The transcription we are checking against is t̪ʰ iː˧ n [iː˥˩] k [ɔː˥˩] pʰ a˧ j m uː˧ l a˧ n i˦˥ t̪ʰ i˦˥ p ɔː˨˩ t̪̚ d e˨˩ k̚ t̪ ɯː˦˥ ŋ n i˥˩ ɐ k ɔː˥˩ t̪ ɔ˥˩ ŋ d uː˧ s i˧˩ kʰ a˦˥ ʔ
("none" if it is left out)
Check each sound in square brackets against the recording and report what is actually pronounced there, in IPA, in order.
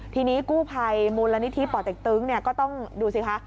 iː˦˥, uː˥˩

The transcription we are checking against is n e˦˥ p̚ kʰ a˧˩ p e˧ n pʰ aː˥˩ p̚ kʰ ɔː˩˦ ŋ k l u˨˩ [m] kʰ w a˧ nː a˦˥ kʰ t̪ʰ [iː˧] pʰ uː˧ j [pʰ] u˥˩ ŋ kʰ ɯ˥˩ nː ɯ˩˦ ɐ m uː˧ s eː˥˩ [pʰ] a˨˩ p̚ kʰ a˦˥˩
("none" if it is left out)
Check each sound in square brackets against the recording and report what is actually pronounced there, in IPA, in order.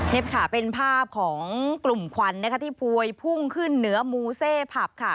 m, iː˥˩, pʰ, pʰ

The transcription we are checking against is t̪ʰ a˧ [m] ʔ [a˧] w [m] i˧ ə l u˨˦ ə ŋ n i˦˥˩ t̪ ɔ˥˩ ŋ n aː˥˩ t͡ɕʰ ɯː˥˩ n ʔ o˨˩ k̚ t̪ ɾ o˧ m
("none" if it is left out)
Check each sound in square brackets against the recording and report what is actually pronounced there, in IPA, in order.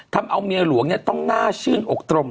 m, a˧, m

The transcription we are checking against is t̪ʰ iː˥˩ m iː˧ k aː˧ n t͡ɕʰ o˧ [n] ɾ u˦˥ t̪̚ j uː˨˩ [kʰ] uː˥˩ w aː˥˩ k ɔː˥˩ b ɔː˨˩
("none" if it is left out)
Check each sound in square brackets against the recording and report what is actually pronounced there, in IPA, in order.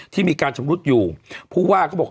m, pʰ

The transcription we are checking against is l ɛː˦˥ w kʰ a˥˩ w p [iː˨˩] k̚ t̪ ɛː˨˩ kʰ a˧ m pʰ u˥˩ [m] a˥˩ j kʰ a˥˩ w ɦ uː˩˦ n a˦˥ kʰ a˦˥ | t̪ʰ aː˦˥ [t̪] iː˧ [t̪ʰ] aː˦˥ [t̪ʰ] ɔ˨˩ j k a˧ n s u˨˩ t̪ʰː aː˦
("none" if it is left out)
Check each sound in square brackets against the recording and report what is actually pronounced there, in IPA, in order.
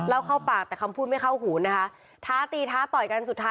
aː˨˩, m, t̪, t̪ʰ, t̪

